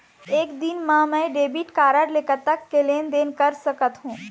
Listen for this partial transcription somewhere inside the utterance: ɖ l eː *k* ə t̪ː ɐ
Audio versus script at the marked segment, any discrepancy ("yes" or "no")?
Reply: no